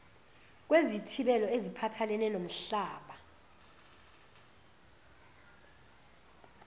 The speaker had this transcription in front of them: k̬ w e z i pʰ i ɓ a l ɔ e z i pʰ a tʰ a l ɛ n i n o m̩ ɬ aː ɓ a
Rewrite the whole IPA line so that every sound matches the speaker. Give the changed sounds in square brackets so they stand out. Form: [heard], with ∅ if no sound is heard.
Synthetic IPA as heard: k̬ w e z i [tʰ] i ɓ [ɛ] l ɔ e z i pʰ a tʰ a l ɛ n [ɛ] n o m̩ ɬ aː ɓ a